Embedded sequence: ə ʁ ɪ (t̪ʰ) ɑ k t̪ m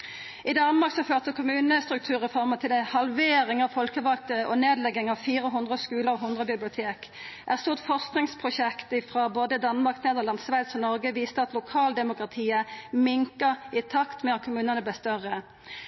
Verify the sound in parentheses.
correct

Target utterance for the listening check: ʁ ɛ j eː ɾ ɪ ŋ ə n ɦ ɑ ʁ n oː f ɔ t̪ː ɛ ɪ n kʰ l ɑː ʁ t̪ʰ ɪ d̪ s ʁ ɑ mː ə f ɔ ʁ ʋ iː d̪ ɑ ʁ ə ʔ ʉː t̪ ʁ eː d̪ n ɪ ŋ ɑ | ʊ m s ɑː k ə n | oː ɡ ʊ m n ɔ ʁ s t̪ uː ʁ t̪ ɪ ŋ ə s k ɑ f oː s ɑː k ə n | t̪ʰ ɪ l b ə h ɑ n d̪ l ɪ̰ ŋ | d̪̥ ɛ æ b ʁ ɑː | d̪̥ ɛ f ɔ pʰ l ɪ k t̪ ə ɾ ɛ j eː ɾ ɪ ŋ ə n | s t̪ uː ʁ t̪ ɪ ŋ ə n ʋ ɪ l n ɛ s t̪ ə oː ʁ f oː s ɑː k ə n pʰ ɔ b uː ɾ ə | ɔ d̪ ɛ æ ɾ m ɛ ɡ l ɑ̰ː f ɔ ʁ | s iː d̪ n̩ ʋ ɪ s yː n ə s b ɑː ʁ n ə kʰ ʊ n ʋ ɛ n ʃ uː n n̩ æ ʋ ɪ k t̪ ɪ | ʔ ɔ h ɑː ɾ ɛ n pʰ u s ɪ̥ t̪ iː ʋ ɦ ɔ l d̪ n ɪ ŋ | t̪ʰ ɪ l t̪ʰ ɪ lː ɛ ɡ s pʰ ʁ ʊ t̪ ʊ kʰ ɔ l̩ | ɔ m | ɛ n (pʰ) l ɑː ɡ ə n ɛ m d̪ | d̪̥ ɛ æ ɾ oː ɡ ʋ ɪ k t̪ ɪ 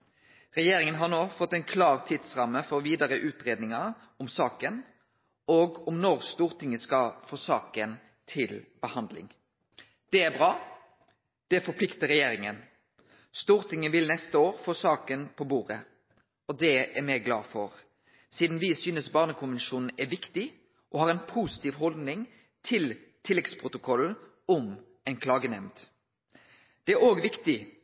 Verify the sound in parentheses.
incorrect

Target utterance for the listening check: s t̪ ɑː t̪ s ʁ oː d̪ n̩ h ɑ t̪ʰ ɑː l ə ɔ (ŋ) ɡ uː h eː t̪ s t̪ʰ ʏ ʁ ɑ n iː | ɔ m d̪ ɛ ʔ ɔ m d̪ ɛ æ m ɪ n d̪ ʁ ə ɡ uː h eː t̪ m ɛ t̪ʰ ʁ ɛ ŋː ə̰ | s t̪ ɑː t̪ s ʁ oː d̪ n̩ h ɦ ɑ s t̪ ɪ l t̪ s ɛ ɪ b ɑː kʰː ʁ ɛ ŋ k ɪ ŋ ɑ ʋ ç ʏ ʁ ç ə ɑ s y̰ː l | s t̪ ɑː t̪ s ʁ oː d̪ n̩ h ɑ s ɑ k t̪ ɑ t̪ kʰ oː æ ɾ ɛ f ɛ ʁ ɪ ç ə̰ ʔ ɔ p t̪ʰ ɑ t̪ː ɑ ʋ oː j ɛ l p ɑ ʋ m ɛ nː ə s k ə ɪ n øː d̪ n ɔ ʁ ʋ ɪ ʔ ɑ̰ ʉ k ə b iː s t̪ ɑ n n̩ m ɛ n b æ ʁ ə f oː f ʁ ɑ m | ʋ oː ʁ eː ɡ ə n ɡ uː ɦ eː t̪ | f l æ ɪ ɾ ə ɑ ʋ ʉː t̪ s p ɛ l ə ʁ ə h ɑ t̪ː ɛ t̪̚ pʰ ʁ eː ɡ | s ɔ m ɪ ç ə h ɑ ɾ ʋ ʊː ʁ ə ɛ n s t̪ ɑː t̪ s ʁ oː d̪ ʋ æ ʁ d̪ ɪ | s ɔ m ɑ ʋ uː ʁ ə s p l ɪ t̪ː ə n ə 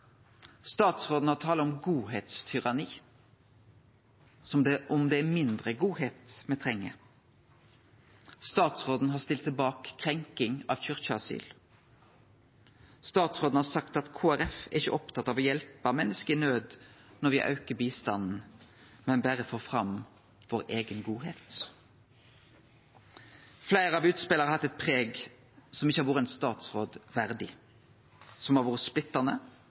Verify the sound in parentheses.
incorrect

